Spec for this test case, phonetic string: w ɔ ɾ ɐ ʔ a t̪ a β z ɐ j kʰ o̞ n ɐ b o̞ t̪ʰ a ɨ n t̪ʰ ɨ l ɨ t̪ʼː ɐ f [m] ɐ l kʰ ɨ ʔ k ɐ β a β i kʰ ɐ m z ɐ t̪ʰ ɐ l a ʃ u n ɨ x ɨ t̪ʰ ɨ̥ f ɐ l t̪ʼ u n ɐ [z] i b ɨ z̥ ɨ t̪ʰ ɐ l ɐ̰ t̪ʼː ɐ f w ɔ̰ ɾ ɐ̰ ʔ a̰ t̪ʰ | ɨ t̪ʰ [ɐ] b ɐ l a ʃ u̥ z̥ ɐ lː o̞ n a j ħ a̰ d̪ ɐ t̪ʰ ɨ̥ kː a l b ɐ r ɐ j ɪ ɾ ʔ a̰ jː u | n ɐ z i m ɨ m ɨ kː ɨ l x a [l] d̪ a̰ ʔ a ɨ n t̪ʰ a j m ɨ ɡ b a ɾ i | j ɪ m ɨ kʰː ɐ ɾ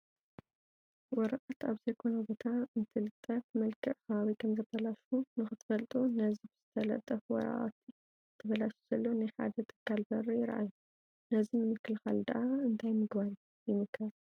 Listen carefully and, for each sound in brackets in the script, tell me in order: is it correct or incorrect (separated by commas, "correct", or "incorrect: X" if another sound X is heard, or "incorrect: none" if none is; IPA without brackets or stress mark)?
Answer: correct, correct, correct, correct